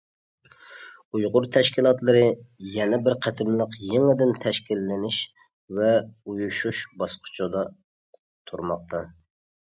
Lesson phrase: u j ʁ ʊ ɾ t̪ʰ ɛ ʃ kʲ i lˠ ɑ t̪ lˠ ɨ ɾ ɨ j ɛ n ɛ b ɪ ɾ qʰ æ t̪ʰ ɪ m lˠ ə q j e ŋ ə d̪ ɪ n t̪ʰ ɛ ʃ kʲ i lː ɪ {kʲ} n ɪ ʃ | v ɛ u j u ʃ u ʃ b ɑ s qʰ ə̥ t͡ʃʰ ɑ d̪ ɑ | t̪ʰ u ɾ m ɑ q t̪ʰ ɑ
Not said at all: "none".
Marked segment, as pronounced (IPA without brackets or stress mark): none